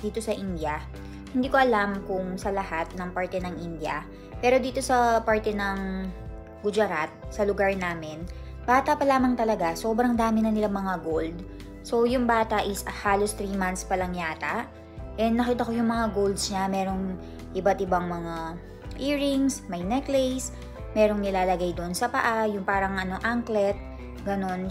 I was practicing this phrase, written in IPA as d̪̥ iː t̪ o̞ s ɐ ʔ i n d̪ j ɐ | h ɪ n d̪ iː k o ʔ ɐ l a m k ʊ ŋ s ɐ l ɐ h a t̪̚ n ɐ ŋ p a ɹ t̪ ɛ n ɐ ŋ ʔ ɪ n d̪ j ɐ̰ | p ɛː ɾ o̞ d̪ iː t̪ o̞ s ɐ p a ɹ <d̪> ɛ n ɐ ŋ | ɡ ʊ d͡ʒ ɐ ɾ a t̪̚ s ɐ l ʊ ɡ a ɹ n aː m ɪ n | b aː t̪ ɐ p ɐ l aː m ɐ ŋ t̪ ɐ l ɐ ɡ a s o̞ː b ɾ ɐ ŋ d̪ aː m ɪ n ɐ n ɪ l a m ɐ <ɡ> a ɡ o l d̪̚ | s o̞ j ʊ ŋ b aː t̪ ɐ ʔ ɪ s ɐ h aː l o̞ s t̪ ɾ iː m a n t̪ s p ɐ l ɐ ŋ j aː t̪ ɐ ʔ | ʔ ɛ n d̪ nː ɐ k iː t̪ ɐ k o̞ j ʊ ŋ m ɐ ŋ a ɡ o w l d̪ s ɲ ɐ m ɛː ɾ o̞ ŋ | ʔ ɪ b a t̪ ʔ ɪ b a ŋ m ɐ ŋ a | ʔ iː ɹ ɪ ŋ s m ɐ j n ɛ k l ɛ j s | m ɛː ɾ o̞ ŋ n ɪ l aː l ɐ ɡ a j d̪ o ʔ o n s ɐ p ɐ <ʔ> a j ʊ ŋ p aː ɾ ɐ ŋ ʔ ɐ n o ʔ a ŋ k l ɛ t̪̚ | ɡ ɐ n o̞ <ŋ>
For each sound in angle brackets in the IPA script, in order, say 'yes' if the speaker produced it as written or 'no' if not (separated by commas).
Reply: no, no, yes, no